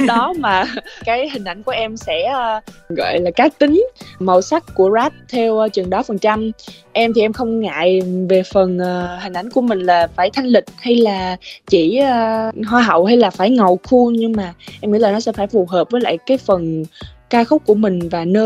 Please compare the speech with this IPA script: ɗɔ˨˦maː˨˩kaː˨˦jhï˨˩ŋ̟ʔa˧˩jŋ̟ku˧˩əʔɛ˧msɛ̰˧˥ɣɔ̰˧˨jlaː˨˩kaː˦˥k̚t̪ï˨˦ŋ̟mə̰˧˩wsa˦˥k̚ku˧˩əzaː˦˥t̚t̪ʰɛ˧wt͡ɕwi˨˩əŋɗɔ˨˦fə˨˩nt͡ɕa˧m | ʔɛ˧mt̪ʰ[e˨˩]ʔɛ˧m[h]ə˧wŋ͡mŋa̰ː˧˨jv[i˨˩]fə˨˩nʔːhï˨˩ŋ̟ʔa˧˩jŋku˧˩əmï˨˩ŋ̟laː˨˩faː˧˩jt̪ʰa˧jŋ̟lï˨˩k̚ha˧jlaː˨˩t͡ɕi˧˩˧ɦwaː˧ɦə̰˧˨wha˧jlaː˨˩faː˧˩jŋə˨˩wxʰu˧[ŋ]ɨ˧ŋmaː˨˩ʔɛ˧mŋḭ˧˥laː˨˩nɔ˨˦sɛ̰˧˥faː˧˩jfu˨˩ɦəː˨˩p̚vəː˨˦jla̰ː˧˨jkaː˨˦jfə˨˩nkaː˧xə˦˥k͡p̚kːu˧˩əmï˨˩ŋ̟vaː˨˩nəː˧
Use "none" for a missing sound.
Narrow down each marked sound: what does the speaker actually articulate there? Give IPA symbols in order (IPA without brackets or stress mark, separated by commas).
i˨˩, x, e˨˩, ɲ